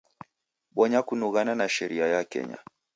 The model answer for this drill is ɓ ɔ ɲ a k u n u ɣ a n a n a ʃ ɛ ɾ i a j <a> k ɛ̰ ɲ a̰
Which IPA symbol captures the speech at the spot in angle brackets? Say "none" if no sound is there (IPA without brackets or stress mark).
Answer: a